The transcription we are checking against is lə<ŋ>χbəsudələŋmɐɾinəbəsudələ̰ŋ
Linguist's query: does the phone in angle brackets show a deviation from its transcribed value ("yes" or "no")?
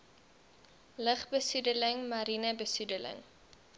yes